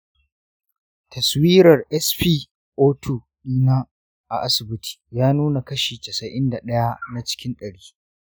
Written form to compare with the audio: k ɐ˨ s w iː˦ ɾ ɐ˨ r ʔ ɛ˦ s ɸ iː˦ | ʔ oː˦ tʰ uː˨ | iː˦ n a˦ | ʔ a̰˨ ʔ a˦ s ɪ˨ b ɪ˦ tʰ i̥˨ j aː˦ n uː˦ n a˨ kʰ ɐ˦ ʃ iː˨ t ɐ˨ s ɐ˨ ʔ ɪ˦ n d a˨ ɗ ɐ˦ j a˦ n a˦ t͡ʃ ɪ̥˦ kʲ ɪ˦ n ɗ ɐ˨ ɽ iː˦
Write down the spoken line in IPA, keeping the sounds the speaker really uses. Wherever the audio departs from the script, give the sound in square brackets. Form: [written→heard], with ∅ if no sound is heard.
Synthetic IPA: [k→t] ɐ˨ s w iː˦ ɾ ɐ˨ r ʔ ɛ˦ s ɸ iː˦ | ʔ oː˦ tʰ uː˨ | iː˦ n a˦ | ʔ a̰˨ ʔ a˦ s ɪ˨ b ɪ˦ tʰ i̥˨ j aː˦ n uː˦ n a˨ [kʰ→k] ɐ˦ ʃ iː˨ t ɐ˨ s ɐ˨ ʔ ɪ˦ n d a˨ ɗ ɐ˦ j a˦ n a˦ t͡ʃ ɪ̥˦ kʲ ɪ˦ n ɗ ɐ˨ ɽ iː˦